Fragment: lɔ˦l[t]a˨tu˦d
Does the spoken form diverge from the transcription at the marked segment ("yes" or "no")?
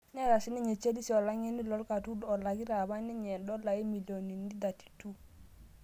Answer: yes